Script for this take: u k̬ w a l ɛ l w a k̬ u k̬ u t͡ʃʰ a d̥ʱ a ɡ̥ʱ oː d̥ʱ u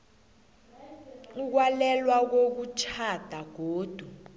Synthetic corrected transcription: u k̬ w a l ɛ l w a k̬ o k̬ u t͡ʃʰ a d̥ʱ a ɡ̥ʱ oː d̥ʱ u